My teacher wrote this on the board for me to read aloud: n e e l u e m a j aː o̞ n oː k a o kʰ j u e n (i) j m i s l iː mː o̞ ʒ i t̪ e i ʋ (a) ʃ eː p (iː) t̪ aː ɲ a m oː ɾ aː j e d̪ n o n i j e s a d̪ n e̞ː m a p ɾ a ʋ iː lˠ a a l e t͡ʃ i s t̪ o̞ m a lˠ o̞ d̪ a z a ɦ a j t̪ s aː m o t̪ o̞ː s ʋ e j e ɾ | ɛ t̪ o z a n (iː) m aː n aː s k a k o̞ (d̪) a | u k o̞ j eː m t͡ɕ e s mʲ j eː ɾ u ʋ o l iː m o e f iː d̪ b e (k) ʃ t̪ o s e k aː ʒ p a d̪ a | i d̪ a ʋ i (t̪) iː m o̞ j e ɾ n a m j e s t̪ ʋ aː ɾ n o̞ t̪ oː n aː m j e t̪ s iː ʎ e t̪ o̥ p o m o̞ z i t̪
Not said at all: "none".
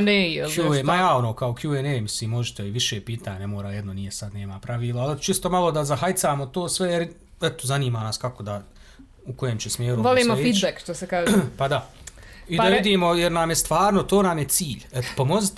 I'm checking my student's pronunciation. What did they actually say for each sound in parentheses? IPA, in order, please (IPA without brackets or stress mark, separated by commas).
e, i, iː, iː, d̪, k, d̪